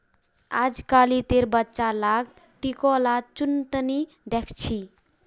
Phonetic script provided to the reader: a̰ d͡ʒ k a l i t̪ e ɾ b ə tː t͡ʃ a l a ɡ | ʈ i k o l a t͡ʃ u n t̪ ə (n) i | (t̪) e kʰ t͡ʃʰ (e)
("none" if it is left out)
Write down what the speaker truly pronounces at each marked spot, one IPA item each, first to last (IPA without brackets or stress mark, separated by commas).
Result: n, d̪, i